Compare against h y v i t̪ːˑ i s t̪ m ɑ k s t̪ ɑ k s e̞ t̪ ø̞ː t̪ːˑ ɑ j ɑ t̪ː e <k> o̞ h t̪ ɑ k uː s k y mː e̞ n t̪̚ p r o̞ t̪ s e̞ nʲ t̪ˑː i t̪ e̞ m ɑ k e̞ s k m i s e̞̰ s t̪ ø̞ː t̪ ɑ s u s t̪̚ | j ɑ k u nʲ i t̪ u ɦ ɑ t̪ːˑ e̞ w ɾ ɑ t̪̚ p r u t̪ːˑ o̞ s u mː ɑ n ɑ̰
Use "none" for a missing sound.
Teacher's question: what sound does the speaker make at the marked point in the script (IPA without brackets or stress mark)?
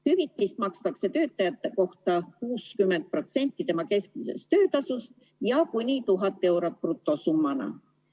k